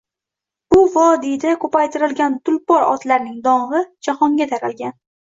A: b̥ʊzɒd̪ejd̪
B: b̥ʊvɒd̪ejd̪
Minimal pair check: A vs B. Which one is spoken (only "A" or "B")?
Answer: B